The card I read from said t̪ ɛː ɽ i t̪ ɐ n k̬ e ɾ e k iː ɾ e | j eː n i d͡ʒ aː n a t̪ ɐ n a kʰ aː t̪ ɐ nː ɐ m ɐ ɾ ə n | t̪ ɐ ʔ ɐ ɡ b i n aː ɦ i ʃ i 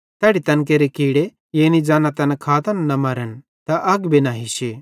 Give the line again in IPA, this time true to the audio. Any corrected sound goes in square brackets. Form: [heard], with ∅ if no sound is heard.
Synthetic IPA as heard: t̪ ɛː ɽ i t̪ ɐ n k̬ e ɾ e k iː [ɽ] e | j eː n i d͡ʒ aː n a t̪ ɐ n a kʰ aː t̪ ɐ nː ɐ m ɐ ɾ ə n | t̪ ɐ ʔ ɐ ɡ b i n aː ɦ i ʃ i